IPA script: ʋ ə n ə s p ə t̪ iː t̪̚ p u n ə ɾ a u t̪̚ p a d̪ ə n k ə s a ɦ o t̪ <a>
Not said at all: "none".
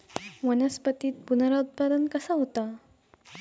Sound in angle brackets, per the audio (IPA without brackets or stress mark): a